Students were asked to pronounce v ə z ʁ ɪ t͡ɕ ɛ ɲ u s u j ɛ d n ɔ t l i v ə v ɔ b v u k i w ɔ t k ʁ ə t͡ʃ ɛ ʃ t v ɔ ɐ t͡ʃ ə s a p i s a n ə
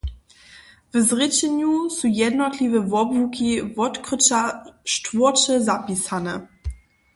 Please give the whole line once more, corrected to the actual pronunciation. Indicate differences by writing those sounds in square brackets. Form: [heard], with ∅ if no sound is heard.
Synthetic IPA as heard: v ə z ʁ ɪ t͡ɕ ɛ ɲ u s u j ɛ d n ɔ t l i v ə v ɔ b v u k i [v] ɔ t k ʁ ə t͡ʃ [a] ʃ t v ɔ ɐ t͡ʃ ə [z] a p i s a n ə